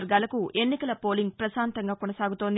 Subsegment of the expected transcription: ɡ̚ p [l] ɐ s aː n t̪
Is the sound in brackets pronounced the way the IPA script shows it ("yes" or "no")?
no